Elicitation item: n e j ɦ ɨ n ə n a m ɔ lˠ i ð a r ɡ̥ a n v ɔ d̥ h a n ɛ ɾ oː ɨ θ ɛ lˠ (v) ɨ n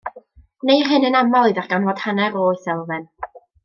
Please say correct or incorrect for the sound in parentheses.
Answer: correct